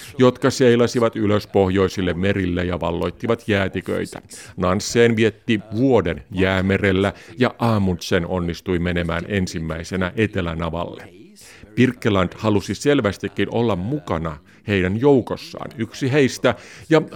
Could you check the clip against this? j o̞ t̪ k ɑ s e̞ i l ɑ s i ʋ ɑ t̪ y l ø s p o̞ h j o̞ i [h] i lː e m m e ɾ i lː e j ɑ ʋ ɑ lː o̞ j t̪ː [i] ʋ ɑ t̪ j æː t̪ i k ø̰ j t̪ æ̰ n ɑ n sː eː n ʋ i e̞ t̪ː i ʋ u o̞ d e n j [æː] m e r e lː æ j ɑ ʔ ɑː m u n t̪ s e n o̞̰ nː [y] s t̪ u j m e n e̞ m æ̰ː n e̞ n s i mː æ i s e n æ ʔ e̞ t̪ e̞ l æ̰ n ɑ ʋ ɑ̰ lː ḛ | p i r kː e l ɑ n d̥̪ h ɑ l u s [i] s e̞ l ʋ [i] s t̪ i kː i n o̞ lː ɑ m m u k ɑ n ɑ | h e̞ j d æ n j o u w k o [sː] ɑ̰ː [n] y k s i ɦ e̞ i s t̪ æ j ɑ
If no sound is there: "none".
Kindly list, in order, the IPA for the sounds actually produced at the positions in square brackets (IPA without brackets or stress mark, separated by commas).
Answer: s, i, æː, i, i, æ, sː, n